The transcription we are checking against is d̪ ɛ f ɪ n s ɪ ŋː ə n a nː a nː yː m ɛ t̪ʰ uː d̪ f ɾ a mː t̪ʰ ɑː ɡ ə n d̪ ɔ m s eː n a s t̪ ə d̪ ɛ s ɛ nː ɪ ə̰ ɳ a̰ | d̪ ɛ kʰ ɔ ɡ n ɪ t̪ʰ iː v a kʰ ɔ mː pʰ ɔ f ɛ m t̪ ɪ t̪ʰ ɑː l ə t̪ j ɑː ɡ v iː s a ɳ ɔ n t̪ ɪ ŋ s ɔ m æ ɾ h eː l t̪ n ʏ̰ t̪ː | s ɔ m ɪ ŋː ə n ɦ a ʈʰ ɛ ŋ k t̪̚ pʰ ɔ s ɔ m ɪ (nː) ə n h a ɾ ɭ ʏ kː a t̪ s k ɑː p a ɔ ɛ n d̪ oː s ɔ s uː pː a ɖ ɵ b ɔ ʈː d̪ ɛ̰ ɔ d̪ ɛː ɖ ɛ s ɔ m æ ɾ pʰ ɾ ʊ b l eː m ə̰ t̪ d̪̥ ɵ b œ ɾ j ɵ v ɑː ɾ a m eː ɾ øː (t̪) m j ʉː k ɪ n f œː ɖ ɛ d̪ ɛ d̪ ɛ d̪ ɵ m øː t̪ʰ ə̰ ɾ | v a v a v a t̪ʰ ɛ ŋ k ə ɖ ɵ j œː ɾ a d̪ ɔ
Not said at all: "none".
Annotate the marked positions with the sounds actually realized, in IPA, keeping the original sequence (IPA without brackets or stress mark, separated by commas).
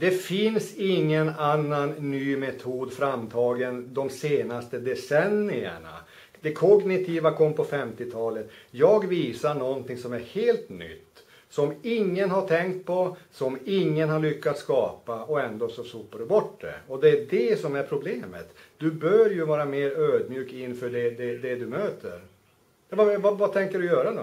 ŋː, d̪